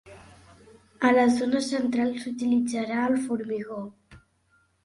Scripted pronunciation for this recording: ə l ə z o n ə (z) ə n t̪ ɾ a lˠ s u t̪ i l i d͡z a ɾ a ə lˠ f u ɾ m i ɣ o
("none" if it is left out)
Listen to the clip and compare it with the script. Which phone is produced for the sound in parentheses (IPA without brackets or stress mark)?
s